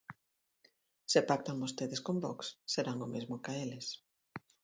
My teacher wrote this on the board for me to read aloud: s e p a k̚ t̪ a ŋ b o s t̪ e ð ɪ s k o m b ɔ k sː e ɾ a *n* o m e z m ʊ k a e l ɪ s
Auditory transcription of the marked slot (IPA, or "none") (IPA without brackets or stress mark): ŋ